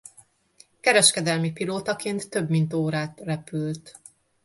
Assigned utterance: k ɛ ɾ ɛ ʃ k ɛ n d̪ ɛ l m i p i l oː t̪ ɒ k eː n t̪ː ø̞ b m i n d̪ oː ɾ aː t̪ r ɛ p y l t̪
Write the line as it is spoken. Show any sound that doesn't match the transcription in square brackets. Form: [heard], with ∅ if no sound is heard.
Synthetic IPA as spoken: k ɛ ɾ ɛ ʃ k ɛ [∅] d̪ ɛ l m i p i l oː t̪ ɒ k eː n t̪ː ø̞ b m i n [t̪] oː ɾ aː t̪ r ɛ p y l t̪